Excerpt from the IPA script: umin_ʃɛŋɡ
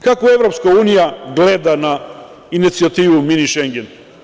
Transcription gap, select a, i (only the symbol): i